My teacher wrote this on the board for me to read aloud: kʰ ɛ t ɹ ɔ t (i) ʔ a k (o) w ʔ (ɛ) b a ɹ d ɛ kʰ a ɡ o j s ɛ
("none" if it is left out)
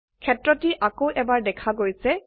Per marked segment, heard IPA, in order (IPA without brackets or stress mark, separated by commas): i, o, ɛ